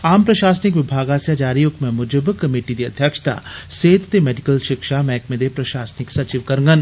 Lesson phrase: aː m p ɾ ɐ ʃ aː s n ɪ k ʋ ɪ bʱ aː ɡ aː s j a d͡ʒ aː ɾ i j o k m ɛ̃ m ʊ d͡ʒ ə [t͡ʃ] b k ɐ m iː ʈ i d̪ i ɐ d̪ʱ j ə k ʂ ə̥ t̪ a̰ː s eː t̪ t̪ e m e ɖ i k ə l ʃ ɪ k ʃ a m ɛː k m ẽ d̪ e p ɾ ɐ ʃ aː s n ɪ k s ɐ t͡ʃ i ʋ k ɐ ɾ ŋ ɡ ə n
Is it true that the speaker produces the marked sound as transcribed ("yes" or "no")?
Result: no